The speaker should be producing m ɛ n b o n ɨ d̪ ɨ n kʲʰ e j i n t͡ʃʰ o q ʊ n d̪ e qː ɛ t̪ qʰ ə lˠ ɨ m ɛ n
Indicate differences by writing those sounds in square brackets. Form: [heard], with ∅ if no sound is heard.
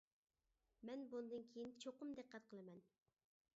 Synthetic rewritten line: m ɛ n b [u] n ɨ d̪ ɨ n kʲʰ e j i n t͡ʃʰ o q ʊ [m] d̪ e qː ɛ t̪ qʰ ə lˠ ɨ m ɛ n